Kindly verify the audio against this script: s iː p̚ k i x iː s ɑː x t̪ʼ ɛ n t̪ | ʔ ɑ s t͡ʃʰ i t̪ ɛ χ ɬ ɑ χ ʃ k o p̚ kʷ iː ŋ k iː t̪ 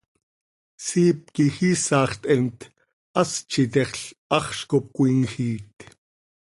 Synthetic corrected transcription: s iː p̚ k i x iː s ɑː χ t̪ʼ ɛ n t̪ | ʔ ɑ s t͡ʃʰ i t̪ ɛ χ ɬ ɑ χ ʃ k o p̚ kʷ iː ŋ x iː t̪